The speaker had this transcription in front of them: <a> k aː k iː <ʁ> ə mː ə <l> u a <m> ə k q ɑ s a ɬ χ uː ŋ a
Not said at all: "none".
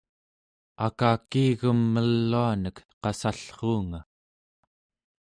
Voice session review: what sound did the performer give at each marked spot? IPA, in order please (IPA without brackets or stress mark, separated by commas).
a, ɣ, lː, n